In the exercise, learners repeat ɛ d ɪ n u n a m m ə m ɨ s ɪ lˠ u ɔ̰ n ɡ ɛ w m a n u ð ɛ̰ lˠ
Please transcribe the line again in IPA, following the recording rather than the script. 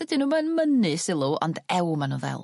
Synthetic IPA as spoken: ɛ d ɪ n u m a n m ə n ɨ s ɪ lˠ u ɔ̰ n d ɛ w m a n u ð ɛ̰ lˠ